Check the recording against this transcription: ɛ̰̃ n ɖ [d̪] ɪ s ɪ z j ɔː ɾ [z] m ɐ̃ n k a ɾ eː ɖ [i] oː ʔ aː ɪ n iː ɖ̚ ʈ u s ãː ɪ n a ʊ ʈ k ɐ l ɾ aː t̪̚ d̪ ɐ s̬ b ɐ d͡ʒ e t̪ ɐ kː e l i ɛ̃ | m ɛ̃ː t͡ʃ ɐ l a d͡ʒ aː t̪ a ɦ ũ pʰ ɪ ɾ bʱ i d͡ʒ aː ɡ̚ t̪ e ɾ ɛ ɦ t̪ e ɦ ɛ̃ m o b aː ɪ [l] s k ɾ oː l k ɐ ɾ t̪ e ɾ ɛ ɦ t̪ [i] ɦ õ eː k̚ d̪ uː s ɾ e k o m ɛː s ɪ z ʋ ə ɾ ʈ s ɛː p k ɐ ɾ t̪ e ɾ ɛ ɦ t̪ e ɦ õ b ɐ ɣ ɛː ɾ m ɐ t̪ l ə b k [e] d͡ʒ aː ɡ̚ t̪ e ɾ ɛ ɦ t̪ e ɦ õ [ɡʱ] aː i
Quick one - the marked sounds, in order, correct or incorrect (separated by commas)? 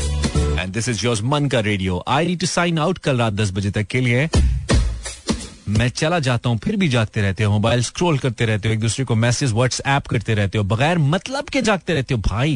correct, correct, correct, correct, incorrect, correct, incorrect